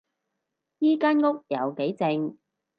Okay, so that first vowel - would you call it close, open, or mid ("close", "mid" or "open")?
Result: close